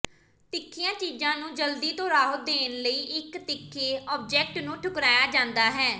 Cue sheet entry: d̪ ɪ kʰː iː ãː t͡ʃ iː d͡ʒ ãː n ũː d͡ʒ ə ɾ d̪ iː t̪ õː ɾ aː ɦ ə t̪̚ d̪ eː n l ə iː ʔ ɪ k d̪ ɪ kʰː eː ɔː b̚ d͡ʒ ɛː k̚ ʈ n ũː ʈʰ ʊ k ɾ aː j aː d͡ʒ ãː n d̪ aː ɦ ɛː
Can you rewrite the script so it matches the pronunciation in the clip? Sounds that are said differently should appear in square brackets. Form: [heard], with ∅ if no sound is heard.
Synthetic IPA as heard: [t̪] ɪ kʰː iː ãː t͡ʃ iː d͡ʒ ãː n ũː d͡ʒ ə [l] d̪ iː t̪ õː ɾ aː ɦ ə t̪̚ d̪ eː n l ə iː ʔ ɪ k [t̪] ɪ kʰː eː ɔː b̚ d͡ʒ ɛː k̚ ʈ n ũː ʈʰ ʊ k ɾ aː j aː d͡ʒ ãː n d̪ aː ɦ ɛː